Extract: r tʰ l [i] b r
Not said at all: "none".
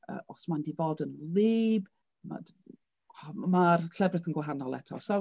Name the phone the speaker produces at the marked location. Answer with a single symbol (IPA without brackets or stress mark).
ɛ